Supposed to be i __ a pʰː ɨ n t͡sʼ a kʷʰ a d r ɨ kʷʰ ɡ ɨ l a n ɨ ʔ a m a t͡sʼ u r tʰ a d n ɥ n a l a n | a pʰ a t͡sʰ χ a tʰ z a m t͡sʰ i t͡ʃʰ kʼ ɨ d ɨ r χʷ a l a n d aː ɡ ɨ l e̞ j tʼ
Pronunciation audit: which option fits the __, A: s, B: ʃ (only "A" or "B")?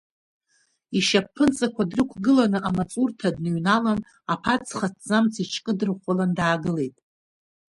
B